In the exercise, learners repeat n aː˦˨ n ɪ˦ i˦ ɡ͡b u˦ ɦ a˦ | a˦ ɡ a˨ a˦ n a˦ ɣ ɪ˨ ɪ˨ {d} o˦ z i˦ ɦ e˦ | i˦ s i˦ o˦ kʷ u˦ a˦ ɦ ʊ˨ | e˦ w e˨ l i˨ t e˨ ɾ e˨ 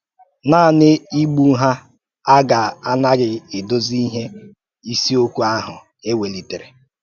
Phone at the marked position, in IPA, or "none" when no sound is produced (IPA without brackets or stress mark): d